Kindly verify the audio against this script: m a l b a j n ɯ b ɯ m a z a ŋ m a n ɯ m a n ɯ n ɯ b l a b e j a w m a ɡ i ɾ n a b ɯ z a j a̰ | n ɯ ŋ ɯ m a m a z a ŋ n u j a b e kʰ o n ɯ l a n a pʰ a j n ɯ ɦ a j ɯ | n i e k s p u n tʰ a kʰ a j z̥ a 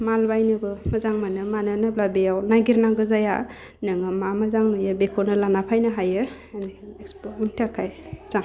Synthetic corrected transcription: m a l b a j n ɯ b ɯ m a z a ŋ m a n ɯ m a n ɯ n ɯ b l a b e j a w n a ɡ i ɾ n a ɡ ɯ z a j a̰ | n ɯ ŋ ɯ m a m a z a ŋ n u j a b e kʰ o n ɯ l a n a pʰ a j n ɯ ɦ a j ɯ | n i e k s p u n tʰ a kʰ a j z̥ a